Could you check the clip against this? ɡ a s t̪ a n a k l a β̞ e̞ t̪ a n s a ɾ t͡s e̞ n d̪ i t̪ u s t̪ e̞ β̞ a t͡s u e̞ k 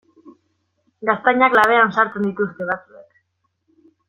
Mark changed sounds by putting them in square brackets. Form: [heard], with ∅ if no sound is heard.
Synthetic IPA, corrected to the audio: ɡ a s t̪ a [ɲ] a k l a β̞ e̞ [∅] a n s a ɾ t͡s e̞ n d̪ i t̪ u s t̪ e̞ β̞ a t͡s u e̞ k